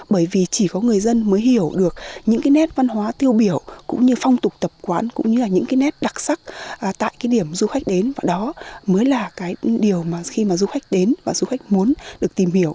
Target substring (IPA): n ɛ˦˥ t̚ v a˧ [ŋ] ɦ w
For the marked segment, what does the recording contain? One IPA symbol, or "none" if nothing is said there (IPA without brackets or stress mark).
n